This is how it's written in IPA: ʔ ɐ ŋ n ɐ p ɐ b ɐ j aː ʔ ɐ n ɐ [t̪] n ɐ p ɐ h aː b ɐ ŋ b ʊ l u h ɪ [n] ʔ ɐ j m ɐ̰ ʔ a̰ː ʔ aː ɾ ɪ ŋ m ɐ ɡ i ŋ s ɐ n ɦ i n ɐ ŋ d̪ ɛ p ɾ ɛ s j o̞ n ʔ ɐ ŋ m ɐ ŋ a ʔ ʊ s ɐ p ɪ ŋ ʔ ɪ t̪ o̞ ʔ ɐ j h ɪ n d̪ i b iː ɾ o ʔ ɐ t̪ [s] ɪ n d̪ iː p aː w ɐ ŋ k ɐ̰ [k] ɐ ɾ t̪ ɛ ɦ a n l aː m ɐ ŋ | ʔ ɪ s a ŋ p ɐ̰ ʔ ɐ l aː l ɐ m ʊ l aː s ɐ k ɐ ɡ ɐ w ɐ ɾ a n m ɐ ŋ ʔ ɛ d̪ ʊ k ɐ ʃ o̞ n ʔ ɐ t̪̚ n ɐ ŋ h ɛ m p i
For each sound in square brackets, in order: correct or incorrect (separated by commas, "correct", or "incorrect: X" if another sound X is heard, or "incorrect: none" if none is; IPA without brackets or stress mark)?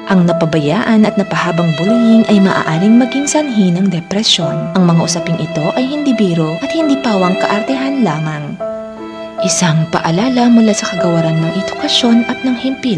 correct, correct, incorrect: h, incorrect: ʔ